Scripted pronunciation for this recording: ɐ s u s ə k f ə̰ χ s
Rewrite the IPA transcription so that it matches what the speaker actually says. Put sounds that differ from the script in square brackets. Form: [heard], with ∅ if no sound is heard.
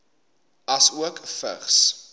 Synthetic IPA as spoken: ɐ s u [∅] ə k f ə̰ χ s